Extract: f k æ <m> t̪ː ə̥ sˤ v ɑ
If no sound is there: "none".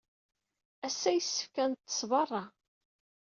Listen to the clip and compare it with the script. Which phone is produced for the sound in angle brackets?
n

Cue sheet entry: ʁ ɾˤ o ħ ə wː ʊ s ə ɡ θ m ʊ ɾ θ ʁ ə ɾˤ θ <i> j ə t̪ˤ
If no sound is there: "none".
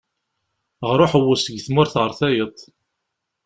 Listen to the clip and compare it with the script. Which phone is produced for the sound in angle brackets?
æ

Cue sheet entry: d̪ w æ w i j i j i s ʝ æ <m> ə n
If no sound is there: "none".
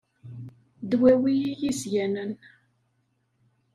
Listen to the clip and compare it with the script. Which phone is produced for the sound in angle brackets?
n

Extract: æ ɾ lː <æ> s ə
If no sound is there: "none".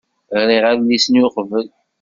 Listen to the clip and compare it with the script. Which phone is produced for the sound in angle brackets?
i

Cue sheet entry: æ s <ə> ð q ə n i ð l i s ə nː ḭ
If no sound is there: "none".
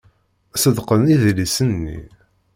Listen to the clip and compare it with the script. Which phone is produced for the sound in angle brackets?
ə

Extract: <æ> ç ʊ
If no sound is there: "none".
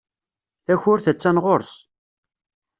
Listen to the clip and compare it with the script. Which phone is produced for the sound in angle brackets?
æ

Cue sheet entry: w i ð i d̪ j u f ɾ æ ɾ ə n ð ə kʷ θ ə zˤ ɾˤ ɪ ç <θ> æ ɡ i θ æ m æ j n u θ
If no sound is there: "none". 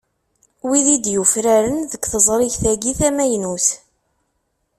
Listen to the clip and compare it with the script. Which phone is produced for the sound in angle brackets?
θ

